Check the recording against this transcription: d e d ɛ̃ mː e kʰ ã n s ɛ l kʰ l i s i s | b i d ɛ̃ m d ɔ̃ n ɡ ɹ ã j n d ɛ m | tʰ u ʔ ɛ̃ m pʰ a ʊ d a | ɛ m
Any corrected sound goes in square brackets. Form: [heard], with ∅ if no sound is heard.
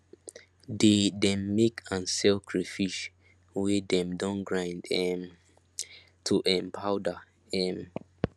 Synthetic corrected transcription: d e d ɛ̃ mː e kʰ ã n s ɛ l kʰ [ɹ] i [f] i [ʃ] | [w] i d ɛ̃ m d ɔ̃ n ɡ ɹ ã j n d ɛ m | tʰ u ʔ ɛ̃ m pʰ a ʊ d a | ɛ m